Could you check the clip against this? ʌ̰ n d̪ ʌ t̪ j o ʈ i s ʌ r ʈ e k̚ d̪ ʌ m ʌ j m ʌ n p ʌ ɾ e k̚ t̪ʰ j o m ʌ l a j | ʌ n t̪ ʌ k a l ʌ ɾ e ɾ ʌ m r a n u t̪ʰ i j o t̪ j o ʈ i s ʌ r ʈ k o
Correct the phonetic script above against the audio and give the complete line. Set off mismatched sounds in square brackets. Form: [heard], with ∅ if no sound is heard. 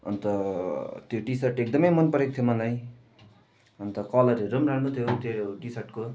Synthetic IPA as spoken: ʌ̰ n [t̪] ʌ t̪ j o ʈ i s ʌ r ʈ e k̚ d̪ ʌ m ʌ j m ʌ n p ʌ ɾ e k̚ t̪ʰ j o m ʌ l a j | ʌ n t̪ ʌ k [ʌ] l ʌ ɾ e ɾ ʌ m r a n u t̪ʰ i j o t̪ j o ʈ i s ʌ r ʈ k o